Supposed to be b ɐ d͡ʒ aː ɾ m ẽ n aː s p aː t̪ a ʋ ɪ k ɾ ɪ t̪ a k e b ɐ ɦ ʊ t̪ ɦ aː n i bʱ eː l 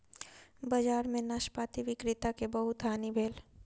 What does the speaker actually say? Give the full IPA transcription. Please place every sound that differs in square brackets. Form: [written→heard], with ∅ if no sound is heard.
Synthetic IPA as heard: b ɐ d͡ʒ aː ɾ m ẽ n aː [s→ʃ] p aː t̪ [a→i] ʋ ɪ k ɾ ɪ t̪ a k e b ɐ ɦ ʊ t̪ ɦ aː n i bʱ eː l